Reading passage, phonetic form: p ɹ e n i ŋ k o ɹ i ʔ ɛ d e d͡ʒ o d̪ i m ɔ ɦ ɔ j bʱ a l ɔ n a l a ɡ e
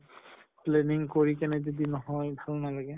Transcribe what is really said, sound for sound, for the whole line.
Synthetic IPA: p l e n i ŋ k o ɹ i k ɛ n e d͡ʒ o d̪ i n ɔ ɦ ɔ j bʱ a l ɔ n a l a ɡ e